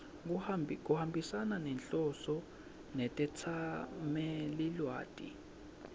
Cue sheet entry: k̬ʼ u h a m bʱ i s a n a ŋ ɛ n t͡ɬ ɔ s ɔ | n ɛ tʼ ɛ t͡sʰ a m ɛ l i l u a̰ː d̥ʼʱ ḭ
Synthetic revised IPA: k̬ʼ u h a m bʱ i s a n a n ɛ n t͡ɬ ɔ s ɔ | n ɛ tʼ ɛ t͡sʰ a m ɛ l i l w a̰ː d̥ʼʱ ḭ